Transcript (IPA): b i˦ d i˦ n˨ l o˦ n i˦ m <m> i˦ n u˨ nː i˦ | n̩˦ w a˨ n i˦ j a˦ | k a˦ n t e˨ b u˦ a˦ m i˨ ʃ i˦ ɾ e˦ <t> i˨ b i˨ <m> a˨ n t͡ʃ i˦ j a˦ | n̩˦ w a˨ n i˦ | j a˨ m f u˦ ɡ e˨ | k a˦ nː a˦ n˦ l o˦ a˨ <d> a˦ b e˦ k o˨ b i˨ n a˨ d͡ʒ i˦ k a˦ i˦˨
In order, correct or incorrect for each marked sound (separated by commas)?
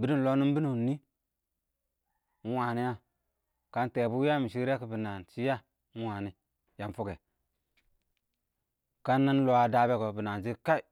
incorrect, incorrect, incorrect, correct